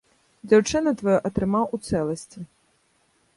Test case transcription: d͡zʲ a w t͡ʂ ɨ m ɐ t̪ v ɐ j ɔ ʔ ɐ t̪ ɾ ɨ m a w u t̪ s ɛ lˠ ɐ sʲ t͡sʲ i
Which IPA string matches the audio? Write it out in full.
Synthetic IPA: d͡zʲ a w t͡ʂ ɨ n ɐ t̪ v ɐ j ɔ ʔ ɐ t̪ ɾ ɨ m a w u t̪ s ɛ lˠ ɐ sʲ t͡sʲ i